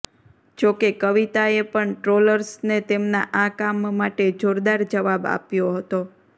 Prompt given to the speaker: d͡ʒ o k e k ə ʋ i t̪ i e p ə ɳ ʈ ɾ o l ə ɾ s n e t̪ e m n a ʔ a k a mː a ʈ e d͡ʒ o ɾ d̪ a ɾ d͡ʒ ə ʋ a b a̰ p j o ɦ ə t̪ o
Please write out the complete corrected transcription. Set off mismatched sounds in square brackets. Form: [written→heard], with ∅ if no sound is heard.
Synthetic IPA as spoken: d͡ʒ o k e k ə ʋ i t̪ [i→a] e p ə ɳ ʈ ɾ o l ə ɾ s n e t̪ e m n a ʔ a k a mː a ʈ e d͡ʒ o ɾ d̪ a ɾ d͡ʒ ə ʋ a b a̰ p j o ɦ ə t̪ o